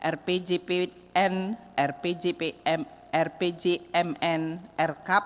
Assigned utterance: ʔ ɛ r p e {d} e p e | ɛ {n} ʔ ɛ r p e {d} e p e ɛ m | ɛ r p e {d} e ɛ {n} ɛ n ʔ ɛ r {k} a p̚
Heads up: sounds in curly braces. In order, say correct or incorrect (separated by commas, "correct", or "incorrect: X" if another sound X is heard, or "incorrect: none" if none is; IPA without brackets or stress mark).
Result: incorrect: d͡ʒ, correct, incorrect: d͡ʒ, incorrect: d͡ʒ, incorrect: m, correct